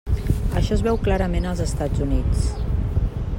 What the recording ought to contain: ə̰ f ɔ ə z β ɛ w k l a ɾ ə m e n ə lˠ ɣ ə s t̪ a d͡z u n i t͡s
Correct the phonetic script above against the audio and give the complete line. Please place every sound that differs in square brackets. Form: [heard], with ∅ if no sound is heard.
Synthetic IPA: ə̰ [ʃ] ɔ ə z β ɛ w k l a ɾ ə m e n ə lˠ [z] ə s t̪ a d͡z u n i t͡s